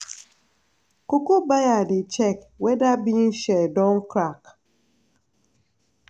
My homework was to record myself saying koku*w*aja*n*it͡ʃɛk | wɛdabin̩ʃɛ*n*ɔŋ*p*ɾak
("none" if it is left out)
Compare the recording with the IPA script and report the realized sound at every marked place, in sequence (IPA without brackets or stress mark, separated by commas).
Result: b, d, d, k